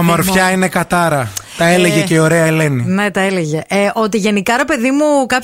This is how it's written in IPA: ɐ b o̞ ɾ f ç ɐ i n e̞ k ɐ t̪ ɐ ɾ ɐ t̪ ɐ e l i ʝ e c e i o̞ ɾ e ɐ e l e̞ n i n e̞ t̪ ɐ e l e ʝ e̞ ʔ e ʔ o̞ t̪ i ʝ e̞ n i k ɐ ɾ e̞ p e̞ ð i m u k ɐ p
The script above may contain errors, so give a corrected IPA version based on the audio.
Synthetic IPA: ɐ m o̞ ɾ f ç ɐ i n e̞ k ɐ t̪ ɐ ɾ ɐ t̪ ɐ e l e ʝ e c e i o̞ ɾ e ɐ e l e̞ n i n e̞ t̪ ɐ e l e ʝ e̞ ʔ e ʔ o̞ t̪ i ʝ e̞ n i k ɐ ɾ e̞ p e̞ ð i m u k ɐ p